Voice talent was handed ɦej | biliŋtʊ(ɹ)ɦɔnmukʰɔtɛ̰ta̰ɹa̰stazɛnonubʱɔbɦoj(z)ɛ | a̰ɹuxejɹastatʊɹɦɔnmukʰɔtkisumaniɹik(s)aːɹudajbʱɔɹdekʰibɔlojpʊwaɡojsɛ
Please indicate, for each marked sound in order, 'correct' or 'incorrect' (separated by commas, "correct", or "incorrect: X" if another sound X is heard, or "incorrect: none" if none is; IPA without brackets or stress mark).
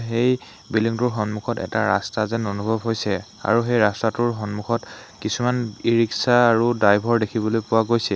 correct, incorrect: s, correct